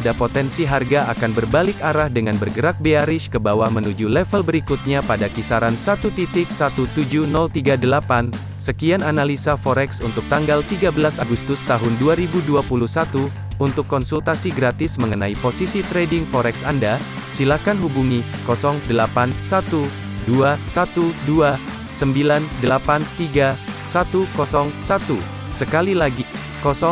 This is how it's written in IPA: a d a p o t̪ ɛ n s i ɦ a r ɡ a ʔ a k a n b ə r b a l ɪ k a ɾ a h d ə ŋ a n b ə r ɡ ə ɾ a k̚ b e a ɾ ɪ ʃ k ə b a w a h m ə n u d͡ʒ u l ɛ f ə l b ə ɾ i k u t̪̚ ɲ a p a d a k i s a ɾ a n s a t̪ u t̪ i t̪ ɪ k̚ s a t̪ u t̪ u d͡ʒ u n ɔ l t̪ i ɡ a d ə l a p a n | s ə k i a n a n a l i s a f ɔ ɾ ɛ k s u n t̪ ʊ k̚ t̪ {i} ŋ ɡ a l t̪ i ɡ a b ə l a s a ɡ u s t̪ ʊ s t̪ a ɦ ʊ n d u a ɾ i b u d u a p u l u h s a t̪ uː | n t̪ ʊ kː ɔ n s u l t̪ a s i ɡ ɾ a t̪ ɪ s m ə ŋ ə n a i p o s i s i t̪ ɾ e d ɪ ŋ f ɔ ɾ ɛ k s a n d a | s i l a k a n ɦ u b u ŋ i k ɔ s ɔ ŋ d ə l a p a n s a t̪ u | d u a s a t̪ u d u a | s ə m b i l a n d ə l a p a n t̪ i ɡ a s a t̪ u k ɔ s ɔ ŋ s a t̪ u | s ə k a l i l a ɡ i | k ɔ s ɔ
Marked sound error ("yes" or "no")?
yes